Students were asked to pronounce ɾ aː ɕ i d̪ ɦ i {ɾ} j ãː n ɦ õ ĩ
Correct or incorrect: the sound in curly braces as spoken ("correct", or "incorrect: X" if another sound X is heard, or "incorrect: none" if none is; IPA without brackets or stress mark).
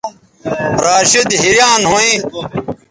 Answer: correct